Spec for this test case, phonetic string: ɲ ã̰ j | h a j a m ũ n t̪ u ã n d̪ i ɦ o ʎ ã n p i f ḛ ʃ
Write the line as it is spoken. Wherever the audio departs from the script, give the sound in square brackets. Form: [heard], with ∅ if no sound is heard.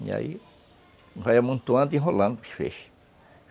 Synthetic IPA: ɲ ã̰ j | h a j a m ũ n t̪ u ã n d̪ i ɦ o [l] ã n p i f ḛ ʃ